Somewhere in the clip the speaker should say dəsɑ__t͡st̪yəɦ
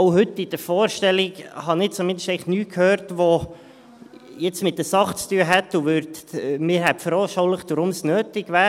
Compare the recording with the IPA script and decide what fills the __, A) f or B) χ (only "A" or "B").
B